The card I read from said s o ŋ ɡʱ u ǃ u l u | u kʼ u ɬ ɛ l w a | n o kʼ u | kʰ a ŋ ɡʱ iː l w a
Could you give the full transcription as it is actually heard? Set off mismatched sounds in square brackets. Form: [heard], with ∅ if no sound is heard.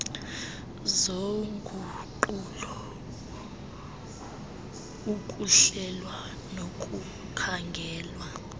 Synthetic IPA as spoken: [z] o ŋ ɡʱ u ǃ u l [ɔ] | u kʼ u ɬ ɛ l w a | n o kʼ u | kʰ a ŋ ɡʱ [ɛː] l w a